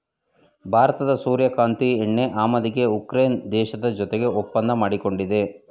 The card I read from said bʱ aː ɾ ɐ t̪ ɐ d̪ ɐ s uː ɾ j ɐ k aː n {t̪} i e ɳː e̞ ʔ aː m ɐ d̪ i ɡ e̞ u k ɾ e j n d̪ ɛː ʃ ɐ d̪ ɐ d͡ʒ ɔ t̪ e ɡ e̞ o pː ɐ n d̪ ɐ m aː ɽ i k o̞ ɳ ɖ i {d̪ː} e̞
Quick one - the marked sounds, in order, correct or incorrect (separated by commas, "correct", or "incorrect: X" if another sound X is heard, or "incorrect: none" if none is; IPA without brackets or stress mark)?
correct, incorrect: d̪